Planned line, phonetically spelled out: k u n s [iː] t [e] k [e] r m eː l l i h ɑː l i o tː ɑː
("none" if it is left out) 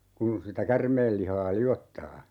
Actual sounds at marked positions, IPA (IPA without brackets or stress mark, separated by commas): i, æ, æ